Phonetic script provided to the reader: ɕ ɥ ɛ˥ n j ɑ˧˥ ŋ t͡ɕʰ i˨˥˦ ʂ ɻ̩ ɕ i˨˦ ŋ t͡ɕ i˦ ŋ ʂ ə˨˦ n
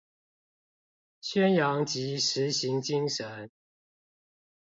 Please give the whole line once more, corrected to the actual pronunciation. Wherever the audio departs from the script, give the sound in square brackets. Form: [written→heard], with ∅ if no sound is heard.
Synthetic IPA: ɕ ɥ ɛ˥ n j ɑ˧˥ ŋ [t͡ɕʰ→t͡ɕ] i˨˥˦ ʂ ɻ̩ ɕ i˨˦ ŋ t͡ɕ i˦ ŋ ʂ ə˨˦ n

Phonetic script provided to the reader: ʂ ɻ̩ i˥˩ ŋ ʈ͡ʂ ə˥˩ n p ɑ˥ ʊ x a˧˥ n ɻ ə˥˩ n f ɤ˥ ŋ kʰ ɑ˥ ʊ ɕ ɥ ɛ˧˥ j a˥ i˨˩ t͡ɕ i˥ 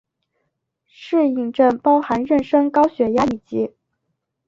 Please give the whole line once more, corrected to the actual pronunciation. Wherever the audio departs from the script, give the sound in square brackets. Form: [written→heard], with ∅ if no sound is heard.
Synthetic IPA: ʂ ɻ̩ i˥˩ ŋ ʈ͡ʂ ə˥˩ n p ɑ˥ ʊ x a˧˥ n ɻ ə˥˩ n [f→ʂ] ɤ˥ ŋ [kʰ→k] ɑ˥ ʊ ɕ ɥ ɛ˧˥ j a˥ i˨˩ t͡ɕ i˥

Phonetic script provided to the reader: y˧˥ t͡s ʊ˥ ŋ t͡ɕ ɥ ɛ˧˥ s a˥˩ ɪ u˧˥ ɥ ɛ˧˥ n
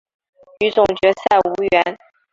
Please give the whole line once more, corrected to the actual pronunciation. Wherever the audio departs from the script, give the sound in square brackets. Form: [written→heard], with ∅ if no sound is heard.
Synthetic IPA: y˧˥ t͡s [ʊ˥→ʊ˨˩] ŋ t͡ɕ ɥ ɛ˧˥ s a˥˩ ɪ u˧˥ ɥ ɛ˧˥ n

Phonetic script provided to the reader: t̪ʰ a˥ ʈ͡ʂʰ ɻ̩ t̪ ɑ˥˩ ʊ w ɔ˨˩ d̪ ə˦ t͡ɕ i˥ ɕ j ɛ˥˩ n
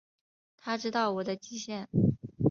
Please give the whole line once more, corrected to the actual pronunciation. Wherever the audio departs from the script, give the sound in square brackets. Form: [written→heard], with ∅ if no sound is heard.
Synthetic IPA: t̪ʰ a˥ [ʈ͡ʂʰ→ʈ͡ʂ] ɻ̩ t̪ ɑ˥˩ ʊ w ɔ˨˩ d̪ ə˦ t͡ɕ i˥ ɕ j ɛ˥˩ n

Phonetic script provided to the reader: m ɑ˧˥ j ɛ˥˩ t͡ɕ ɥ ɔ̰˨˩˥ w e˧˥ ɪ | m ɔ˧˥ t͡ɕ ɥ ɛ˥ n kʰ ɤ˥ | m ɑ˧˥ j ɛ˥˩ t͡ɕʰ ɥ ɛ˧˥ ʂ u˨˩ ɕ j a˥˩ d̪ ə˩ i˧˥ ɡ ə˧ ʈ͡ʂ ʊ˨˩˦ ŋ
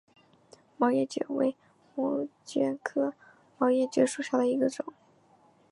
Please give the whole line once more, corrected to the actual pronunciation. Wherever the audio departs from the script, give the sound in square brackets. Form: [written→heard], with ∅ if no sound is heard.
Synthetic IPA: m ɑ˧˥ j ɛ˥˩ t͡ɕ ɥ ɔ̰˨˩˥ w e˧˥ ɪ | m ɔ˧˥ t͡ɕ ɥ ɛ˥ n kʰ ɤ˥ | m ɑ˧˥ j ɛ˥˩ [t͡ɕʰ→t͡ɕ] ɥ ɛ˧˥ ʂ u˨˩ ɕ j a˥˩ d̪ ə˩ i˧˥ ɡ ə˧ ʈ͡ʂ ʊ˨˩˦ ŋ

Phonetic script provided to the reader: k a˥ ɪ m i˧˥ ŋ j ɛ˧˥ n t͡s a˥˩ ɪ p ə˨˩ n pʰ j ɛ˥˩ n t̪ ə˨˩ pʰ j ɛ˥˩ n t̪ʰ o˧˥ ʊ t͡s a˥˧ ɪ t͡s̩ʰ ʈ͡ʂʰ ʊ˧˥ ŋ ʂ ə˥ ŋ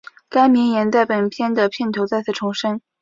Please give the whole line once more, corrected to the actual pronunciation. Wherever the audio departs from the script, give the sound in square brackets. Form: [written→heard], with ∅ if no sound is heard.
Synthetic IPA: k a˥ ɪ m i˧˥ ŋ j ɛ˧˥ n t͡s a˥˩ ɪ p ə˨˩ n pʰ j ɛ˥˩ n [t̪→d̪] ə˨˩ pʰ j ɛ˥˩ n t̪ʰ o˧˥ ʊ t͡s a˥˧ ɪ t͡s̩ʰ ʈ͡ʂʰ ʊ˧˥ ŋ ʂ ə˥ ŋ

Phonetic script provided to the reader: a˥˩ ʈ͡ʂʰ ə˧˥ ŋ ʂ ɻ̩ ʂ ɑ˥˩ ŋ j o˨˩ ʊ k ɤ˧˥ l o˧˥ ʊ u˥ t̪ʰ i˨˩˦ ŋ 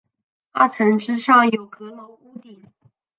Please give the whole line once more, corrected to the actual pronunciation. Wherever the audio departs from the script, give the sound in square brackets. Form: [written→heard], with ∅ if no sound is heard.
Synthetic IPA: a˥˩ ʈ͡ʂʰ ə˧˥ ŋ [ʂ→ʈ͡ʂ] ɻ̩ ʂ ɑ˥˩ ŋ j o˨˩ ʊ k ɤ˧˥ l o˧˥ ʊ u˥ [t̪ʰ→t̪] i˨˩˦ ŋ

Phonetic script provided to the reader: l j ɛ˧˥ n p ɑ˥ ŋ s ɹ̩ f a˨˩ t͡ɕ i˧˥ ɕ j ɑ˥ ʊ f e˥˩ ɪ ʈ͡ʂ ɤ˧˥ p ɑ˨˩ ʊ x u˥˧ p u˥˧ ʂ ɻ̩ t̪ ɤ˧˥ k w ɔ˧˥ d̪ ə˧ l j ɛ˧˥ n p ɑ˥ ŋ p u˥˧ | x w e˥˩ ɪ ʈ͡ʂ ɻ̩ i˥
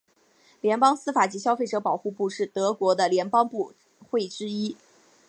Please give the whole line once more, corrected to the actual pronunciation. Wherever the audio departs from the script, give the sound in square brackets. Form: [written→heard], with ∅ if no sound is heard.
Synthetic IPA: l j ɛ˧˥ n p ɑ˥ ŋ s ɹ̩ f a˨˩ t͡ɕ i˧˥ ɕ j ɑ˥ ʊ f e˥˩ ɪ ʈ͡ʂ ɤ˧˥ p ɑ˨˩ ʊ x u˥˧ p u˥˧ ʂ ɻ̩ t̪ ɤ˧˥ k w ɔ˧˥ d̪ ə˧ l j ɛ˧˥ n p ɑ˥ ŋ p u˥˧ | x w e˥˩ ɪ ʈ͡ʂ ɻ̩ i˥

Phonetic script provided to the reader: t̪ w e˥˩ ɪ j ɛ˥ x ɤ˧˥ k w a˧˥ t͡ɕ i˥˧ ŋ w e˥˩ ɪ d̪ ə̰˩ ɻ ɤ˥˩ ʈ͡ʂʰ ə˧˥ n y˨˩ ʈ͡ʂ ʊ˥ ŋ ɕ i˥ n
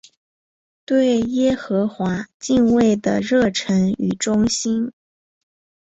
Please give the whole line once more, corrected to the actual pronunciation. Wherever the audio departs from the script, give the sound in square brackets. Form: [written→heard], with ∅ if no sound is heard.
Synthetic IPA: t̪ w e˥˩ ɪ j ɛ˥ x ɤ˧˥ [k→x] w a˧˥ t͡ɕ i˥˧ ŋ w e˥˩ ɪ d̪ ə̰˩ ɻ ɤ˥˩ ʈ͡ʂʰ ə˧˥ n y˨˩ ʈ͡ʂ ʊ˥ ŋ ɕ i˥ n

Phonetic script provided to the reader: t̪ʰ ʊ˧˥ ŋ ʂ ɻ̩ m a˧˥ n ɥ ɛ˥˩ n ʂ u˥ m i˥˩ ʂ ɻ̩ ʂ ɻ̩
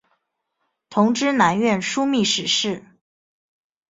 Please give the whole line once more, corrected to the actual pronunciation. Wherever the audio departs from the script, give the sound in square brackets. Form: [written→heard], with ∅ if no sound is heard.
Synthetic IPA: t̪ʰ ʊ˧˥ ŋ [ʂ→ʈ͡ʂ] ɻ̩ [m→n] a˧˥ n ɥ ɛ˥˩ n ʂ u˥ m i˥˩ ʂ ɻ̩ ʂ ɻ̩

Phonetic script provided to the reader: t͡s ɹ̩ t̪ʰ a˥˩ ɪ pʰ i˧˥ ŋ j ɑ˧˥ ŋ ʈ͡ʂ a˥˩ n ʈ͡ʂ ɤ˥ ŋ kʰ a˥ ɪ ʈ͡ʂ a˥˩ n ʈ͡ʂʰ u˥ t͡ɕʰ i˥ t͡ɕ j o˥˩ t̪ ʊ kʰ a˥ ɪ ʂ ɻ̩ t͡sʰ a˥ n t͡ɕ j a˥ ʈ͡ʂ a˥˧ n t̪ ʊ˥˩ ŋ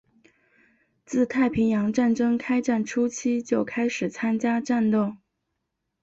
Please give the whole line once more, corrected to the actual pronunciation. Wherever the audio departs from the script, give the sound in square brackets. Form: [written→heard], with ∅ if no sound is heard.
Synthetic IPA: t͡s ɹ̩ t̪ʰ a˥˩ ɪ pʰ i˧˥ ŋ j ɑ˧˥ ŋ ʈ͡ʂ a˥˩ n ʈ͡ʂ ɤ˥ ŋ kʰ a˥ ɪ ʈ͡ʂ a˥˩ n ʈ͡ʂʰ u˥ t͡ɕʰ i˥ t͡ɕ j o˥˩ [t̪→∅] ʊ kʰ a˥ ɪ ʂ ɻ̩ t͡sʰ a˥ n t͡ɕ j a˥ ʈ͡ʂ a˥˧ n t̪ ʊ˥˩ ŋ

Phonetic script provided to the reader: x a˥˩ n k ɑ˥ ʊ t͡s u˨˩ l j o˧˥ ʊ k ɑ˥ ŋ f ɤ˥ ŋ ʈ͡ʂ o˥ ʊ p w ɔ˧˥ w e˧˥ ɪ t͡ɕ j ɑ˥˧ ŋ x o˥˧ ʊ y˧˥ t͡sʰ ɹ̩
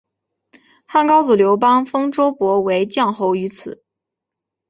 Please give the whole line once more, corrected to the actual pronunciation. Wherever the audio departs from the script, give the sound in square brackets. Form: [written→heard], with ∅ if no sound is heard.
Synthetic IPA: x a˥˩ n k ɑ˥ ʊ t͡s u˨˩ l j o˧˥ ʊ [k→p] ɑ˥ ŋ f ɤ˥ ŋ ʈ͡ʂ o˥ ʊ p w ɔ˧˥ w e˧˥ ɪ t͡ɕ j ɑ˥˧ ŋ x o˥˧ ʊ y˧˥ t͡sʰ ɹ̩

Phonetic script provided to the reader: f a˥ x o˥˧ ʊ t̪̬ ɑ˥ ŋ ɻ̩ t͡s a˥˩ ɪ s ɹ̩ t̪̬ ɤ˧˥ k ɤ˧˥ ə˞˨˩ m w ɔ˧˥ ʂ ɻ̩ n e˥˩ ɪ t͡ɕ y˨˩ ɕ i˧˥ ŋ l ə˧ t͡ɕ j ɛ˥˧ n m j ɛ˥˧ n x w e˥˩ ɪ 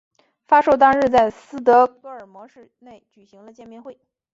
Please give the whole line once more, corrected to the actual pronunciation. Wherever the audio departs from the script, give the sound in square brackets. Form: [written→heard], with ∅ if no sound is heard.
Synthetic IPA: f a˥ [x→ʂ] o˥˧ ʊ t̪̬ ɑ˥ ŋ ɻ̩ t͡s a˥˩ ɪ s ɹ̩ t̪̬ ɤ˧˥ k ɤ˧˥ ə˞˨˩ m w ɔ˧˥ ʂ ɻ̩ n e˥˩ ɪ t͡ɕ y˨˩ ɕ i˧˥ ŋ l ə˧ t͡ɕ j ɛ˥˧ n m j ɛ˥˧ n x w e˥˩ ɪ

